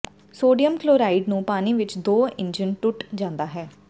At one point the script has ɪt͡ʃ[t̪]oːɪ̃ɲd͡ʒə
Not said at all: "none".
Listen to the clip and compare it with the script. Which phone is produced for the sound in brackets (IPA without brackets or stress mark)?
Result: d̪